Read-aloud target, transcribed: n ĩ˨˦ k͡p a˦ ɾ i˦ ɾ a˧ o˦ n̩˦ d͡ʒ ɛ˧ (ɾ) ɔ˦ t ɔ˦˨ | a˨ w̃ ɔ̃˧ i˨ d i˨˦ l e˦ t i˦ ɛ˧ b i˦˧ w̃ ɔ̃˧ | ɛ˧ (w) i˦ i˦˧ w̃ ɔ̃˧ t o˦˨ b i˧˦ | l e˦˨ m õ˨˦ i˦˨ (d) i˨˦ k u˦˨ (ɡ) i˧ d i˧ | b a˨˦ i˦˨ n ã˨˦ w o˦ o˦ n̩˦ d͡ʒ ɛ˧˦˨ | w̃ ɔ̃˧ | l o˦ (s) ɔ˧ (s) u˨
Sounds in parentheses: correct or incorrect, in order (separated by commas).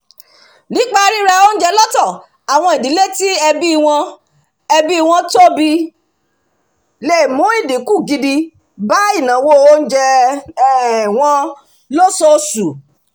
incorrect, incorrect, correct, correct, correct, correct